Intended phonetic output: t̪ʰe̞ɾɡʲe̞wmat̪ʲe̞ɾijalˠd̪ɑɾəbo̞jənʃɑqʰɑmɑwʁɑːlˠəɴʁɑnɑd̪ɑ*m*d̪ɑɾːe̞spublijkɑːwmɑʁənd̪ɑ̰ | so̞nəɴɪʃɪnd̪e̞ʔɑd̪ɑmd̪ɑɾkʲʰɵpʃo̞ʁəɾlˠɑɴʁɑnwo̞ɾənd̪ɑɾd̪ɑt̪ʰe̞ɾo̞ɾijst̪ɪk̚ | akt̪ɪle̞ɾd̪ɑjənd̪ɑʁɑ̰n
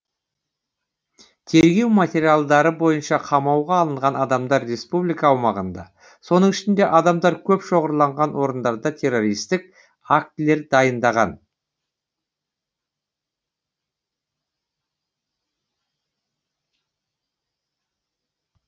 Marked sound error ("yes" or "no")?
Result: no